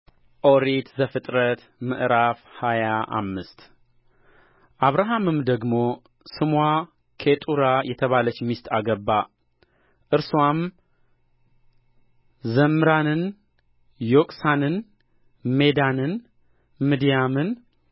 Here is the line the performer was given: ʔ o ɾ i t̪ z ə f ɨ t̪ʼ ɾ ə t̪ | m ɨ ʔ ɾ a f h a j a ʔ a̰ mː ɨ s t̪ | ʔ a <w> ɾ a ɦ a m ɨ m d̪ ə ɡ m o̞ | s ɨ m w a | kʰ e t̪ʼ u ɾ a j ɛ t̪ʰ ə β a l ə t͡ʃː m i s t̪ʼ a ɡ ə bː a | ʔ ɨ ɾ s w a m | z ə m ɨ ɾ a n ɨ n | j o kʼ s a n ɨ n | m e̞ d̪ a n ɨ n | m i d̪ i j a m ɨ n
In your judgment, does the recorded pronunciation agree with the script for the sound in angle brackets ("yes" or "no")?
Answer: no